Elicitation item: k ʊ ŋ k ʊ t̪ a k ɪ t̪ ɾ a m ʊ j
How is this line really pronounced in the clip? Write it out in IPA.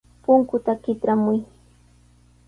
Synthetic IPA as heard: p ʊ ŋ k ʊ t̪ a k ɪ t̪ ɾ a m ʊ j